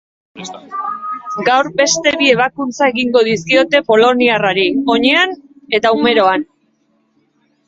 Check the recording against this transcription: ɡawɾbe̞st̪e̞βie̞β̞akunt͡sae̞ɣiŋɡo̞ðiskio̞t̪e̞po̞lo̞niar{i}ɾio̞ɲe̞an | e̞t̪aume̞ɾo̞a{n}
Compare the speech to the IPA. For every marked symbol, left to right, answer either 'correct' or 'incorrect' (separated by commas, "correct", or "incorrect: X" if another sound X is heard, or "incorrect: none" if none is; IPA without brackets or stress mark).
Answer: incorrect: a, correct